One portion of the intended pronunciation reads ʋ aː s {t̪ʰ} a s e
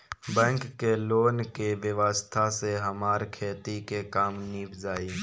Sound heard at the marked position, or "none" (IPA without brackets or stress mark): t̪ʰ